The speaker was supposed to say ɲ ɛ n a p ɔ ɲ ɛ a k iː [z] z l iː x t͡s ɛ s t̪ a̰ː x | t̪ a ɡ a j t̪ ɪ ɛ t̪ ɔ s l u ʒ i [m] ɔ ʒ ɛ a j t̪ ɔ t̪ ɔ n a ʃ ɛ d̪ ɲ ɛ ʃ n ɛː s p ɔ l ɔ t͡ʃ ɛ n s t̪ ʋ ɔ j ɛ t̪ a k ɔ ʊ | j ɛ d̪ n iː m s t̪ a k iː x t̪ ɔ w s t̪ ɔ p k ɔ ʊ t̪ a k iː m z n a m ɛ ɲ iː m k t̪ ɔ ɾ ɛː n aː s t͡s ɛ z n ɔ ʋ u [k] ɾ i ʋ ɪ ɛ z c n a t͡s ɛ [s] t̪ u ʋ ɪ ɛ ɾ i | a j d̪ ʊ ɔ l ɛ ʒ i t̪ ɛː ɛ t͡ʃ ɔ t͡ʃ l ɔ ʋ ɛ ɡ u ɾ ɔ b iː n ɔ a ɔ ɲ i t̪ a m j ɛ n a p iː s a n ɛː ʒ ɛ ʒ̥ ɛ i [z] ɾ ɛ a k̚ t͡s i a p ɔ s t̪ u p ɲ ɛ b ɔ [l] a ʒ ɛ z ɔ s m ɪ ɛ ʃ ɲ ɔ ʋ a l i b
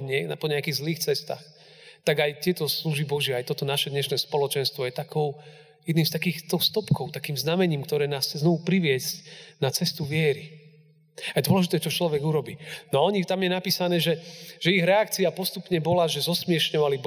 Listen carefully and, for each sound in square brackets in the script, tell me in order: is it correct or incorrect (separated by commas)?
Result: incorrect, incorrect, incorrect, correct, incorrect, correct